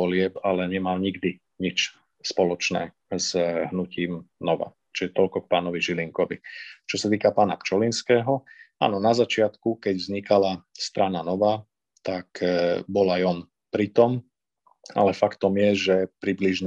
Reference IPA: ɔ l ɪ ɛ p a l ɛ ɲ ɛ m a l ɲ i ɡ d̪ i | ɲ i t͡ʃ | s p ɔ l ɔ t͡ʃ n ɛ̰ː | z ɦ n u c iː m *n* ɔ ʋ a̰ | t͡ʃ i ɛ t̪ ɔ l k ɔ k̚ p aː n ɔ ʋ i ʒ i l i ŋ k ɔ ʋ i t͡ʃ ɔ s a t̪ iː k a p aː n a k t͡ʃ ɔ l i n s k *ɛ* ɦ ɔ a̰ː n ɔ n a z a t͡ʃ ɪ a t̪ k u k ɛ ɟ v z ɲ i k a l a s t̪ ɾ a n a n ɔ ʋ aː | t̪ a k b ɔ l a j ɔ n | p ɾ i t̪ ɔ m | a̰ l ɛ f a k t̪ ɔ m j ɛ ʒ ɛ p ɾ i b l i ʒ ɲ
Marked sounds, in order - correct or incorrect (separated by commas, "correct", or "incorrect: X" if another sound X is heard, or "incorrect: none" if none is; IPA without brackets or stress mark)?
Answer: correct, incorrect: ɛː